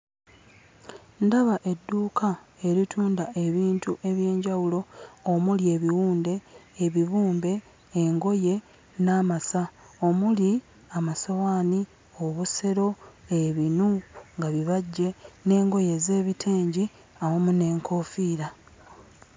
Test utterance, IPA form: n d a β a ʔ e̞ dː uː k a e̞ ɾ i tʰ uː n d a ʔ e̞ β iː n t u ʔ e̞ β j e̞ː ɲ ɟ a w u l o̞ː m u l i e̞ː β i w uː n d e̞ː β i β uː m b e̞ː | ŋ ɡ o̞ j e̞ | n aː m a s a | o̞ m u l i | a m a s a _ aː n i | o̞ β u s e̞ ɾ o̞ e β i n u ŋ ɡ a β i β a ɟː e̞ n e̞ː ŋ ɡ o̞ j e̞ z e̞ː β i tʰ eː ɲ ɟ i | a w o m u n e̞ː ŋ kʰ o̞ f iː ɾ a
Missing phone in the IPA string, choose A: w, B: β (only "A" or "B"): A